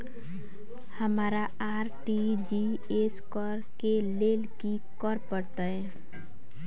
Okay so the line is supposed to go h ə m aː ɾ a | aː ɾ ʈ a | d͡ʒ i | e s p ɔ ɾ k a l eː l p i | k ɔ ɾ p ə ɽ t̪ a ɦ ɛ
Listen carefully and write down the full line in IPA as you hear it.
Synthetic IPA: h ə m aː ɾ a | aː ɾ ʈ i | d͡ʒ i | e s k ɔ ɾ k e l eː l k i | k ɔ ɾ p ə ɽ t̪ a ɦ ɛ